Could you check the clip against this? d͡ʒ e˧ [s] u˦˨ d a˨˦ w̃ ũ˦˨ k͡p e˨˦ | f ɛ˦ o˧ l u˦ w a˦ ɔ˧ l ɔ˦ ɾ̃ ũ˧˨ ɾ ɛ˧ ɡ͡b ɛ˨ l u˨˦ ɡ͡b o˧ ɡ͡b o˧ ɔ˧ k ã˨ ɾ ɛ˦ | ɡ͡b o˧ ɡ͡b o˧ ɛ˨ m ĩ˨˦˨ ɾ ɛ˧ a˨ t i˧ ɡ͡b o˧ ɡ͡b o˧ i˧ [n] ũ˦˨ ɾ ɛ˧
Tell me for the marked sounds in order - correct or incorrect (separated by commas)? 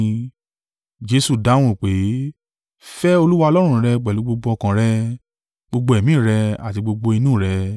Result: correct, correct